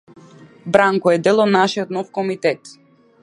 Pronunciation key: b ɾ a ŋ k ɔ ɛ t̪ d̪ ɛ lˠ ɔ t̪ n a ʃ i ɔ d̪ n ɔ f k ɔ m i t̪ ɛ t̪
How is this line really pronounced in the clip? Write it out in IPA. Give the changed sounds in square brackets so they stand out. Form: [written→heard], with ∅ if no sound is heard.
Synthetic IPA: b ɾ a ŋ k ɔ ɛ [t̪→∅] d̪ ɛ lˠ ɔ [t̪→d̪] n a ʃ i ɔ [d̪→t̪] n ɔ f k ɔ m i t̪ ɛ t̪